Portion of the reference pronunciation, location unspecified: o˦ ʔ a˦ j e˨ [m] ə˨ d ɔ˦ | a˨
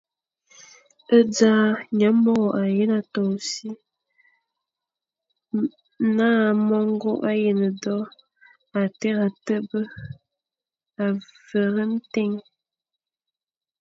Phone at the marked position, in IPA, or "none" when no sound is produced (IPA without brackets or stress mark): n